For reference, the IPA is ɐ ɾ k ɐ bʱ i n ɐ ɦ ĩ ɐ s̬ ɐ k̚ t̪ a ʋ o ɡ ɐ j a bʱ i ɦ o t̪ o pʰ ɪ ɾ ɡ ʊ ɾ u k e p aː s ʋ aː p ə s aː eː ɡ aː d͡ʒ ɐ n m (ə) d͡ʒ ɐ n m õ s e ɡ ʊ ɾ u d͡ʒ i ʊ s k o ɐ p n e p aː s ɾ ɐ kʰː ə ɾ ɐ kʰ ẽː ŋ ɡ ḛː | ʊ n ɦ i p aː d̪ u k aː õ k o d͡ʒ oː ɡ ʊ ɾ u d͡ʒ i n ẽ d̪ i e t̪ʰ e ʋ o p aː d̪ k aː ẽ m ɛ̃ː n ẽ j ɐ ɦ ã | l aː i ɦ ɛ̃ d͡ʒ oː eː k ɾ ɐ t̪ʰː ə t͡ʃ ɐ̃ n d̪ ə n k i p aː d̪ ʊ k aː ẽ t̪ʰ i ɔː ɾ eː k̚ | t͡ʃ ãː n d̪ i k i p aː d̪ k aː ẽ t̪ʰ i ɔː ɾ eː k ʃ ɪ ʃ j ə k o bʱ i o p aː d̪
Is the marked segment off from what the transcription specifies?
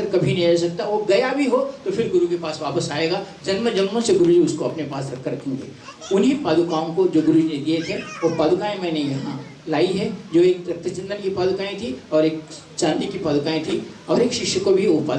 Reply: no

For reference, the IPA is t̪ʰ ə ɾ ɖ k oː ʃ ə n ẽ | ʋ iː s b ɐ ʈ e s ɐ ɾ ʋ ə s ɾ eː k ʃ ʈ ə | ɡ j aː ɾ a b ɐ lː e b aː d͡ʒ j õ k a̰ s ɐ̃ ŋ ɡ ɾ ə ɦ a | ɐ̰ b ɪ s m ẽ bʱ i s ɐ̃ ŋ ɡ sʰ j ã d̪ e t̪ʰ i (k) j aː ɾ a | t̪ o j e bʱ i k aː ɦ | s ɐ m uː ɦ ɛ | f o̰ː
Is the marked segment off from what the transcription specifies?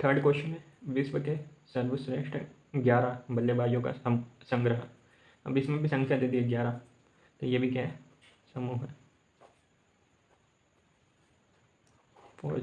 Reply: yes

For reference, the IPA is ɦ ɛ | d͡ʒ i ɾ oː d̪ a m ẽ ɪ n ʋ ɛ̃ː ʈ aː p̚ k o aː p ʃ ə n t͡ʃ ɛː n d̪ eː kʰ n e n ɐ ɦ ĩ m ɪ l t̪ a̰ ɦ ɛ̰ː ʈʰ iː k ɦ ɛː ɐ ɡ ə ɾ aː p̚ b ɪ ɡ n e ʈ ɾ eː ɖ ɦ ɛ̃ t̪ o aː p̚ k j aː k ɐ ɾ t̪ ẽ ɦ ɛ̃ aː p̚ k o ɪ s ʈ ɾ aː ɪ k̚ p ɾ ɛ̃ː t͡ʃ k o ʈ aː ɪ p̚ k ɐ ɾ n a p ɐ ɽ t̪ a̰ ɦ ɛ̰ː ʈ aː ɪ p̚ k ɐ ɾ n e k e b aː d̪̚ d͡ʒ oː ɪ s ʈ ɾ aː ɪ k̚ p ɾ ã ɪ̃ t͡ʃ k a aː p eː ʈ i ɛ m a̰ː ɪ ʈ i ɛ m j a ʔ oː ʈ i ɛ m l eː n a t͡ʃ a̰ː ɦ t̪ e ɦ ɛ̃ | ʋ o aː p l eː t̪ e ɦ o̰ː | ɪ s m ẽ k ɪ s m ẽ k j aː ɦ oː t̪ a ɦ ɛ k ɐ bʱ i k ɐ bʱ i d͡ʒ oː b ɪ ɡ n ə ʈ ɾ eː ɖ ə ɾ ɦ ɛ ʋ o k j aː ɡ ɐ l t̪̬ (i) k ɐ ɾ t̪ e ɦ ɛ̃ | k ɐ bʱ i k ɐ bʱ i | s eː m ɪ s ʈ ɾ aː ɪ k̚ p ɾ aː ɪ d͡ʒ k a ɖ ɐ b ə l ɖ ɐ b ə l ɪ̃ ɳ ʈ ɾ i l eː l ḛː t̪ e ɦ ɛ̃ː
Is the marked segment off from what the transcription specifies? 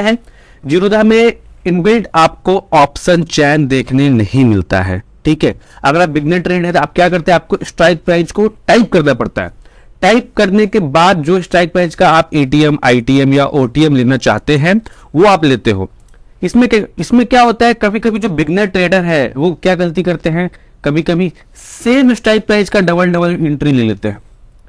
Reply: no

